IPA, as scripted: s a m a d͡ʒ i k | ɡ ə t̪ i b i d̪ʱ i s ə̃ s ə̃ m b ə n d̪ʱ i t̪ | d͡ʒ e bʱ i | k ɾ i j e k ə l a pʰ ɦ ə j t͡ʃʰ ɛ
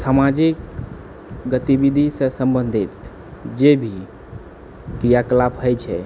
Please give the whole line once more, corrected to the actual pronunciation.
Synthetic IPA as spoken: s a m a d͡ʒ i k | ɡ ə t̪ i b i d̪ʱ i s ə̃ s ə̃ m b ə n d̪ʱ i t̪ | d͡ʒ e bʱ i | k ɾ i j a k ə l a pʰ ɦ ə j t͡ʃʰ ɛ